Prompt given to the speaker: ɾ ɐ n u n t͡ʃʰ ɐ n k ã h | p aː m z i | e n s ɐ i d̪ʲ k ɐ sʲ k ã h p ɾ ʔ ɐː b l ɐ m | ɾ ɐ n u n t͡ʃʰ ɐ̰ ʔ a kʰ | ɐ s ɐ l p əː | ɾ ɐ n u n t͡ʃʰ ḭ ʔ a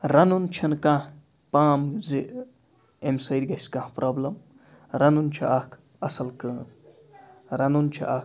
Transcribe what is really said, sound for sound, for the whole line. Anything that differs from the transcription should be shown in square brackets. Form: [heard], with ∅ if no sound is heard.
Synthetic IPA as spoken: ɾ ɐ n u n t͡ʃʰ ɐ n k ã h | p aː m z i | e [m] s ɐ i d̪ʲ [ɡ] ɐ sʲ k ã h p ɾ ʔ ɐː b l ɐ m | ɾ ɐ n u n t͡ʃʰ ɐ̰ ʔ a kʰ | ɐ s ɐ l [k] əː | ɾ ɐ n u n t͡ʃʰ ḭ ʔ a